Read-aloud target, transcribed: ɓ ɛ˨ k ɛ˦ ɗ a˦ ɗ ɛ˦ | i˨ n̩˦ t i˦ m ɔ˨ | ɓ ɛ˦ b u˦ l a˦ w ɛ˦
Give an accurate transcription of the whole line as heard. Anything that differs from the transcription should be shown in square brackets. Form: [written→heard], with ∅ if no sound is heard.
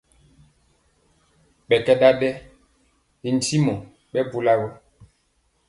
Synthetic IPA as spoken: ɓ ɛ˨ k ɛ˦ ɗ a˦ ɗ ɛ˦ | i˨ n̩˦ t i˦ m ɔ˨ | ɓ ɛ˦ b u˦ l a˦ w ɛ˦